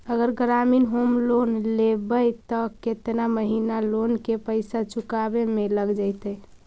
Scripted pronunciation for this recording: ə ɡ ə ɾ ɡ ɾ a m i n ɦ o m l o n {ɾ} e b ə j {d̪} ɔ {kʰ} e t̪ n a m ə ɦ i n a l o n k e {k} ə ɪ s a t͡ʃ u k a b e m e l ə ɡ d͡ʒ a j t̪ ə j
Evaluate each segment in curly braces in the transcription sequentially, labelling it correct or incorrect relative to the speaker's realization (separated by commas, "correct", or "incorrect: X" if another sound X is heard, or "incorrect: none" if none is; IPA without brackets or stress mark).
incorrect: l, incorrect: t̪, incorrect: k, incorrect: p